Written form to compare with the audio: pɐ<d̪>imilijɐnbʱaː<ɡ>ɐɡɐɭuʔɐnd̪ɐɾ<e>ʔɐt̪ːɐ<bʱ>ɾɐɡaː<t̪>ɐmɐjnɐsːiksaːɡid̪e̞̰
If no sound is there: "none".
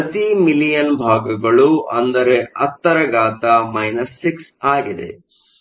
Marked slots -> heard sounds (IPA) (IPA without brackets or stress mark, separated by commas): t̪, ɡ, e, none, t̪